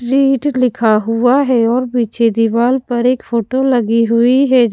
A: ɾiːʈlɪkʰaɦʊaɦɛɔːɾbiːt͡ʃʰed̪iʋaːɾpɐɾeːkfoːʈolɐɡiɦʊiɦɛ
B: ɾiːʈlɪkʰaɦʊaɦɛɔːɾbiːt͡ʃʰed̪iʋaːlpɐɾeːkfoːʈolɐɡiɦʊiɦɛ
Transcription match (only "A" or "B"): B